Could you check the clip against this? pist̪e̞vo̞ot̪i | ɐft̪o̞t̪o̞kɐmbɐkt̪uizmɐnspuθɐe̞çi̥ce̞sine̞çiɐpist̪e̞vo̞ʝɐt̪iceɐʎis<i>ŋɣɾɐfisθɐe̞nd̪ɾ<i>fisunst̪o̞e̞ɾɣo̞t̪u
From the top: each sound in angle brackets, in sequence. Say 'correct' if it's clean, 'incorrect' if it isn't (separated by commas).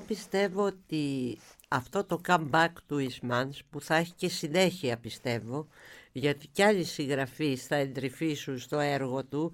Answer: correct, correct